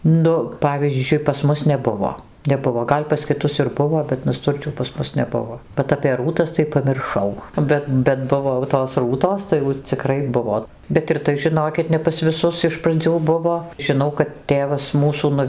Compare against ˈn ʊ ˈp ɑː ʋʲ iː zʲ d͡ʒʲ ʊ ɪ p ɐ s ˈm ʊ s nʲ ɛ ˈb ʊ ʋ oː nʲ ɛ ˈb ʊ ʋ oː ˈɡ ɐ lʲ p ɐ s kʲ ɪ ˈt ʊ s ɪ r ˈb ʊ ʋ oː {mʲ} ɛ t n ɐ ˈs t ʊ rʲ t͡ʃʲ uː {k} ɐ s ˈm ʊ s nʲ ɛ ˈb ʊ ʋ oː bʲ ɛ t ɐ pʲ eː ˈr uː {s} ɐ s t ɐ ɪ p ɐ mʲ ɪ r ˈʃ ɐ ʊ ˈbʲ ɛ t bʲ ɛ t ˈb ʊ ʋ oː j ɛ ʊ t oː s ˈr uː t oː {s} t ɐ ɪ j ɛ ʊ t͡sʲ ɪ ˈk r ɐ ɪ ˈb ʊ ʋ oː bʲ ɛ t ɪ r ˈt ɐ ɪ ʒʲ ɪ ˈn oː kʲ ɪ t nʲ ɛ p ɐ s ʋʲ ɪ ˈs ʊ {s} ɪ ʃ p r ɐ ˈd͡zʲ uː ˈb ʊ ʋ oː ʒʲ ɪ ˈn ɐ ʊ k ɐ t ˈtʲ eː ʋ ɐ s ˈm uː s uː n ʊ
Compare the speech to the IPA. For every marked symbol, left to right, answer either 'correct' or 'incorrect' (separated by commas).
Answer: incorrect, incorrect, incorrect, correct, correct